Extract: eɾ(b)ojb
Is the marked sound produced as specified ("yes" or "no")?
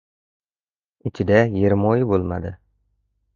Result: no